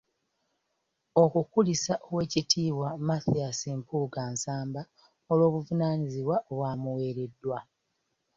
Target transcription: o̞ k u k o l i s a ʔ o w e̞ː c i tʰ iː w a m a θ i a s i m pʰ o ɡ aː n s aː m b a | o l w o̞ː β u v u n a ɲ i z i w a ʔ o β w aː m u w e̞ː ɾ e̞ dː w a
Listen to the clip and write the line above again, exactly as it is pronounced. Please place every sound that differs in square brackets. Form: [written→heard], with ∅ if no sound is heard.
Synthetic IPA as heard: o̞ k u k [o→u] l i s a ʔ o w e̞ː c i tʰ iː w a m a θ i a s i m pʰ [o→u] ɡ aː n s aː m b a | o l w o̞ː β u v u n a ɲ i z i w a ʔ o β w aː m u w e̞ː ɾ e̞ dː w a